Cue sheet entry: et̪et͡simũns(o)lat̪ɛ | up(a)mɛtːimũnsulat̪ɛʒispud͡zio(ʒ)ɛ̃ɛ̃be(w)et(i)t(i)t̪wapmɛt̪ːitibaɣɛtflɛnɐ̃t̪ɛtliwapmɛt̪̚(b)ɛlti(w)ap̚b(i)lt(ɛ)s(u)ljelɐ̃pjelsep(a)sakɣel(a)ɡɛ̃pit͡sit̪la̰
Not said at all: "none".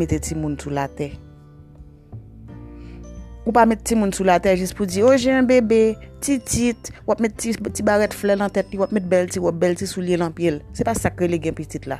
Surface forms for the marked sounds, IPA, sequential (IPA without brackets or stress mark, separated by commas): u, a, ʒ, b, i, i, b, w, ɛ, i, u, a, e